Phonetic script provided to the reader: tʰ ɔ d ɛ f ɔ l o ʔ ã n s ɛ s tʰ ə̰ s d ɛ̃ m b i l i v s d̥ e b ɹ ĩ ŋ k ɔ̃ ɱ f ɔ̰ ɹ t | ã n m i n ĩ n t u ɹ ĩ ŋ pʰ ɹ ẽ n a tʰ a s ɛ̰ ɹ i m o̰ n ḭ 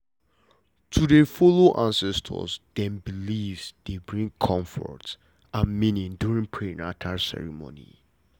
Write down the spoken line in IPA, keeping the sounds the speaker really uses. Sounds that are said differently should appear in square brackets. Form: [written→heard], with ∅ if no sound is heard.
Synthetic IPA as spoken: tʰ [ɔ→u] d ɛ f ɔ l o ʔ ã n s ɛ s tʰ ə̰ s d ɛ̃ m b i l i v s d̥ e b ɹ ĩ ŋ [k→kʰ] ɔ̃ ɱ f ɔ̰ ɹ t | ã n m i n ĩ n [t→d] u ɹ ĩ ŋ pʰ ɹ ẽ n a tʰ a s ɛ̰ ɹ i m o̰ n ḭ